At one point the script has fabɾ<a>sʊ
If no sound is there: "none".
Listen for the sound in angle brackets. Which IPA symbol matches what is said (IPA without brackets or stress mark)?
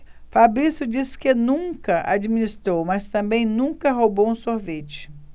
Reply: i